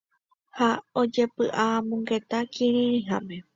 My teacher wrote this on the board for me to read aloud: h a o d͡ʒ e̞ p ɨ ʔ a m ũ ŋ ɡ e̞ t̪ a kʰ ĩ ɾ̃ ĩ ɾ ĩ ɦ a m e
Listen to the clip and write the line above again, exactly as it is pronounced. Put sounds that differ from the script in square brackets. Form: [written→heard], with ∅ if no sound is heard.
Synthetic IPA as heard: h a o d͡ʒ e̞ p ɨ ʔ a m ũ ŋ ɡ e̞ t̪ a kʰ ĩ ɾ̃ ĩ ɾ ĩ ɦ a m e